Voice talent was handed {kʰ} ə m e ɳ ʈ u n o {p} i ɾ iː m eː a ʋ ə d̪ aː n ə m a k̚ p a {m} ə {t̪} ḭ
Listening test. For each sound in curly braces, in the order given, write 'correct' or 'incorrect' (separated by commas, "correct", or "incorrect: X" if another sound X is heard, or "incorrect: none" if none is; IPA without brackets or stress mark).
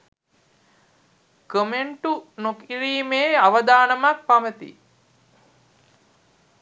incorrect: k, incorrect: k, correct, correct